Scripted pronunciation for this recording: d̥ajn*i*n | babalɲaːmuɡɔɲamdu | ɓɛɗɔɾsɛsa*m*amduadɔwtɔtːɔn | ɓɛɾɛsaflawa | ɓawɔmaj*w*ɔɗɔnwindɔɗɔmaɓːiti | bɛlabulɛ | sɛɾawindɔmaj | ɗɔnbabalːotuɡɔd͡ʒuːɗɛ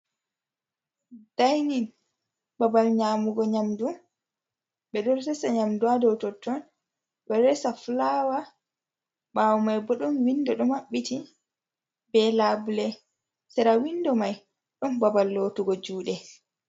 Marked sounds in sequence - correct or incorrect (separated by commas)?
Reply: correct, incorrect, incorrect